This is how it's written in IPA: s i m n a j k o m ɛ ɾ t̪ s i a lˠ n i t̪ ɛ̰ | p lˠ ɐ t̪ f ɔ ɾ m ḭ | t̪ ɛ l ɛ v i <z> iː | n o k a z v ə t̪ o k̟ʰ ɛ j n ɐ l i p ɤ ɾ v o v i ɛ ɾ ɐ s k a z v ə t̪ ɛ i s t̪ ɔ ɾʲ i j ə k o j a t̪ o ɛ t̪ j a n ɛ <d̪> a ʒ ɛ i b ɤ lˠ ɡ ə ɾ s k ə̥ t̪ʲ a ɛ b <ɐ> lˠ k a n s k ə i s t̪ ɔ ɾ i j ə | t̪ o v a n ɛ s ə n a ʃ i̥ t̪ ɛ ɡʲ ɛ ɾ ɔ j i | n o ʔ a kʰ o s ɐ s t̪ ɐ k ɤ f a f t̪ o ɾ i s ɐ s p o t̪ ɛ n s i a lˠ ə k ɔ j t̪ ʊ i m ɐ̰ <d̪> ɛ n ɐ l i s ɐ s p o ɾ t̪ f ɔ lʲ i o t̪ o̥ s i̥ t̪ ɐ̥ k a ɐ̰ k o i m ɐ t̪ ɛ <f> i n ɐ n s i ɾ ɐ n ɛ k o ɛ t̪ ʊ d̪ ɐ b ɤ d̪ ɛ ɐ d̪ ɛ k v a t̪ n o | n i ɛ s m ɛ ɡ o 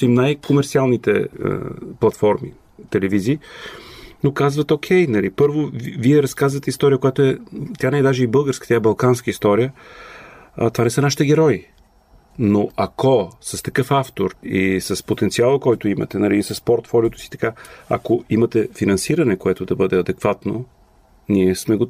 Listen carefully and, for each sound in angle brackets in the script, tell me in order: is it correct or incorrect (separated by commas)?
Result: correct, correct, correct, incorrect, correct